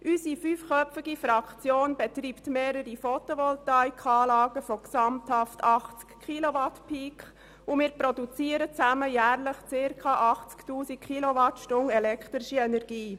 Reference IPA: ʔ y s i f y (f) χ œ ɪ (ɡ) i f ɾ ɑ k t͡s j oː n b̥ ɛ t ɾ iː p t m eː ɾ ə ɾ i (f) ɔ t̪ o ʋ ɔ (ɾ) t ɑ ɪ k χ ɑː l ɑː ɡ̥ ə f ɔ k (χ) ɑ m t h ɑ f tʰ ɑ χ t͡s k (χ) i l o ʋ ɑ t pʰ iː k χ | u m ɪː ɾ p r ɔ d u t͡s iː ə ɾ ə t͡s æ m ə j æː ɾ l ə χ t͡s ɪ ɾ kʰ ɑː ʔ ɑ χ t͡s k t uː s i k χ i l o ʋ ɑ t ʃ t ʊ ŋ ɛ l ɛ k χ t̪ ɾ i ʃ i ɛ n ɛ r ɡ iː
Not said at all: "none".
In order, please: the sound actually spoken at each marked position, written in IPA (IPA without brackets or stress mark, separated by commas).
f, ɡ, f, l, s, χ